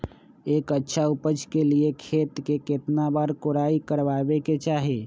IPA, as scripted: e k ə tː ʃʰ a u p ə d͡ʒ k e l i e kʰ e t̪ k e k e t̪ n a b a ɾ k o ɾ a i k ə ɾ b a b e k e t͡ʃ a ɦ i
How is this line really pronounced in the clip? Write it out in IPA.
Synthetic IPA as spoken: e k ə tː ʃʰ a u p ə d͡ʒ k e l i e kʰ e t̪ k e k e t̪ n a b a ɾ k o ɾ a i k ə ɾ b a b e k e t͡ʃ a ɦ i